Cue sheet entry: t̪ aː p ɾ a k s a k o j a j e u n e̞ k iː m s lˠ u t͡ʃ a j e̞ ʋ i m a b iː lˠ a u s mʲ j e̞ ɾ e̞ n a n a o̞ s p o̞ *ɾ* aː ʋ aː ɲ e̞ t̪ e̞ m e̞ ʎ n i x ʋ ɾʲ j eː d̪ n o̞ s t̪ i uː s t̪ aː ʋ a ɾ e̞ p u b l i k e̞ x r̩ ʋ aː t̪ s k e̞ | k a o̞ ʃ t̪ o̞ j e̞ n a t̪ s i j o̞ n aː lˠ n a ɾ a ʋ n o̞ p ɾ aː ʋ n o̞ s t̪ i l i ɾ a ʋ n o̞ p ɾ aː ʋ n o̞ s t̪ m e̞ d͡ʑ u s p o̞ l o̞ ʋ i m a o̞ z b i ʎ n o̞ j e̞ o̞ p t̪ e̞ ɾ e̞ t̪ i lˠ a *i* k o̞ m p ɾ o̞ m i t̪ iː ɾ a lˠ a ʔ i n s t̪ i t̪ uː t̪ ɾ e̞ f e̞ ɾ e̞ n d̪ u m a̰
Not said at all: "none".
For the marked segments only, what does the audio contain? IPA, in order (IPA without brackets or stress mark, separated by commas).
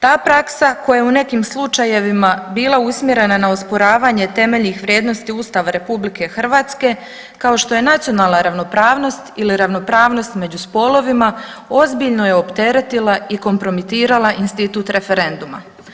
ɾ, i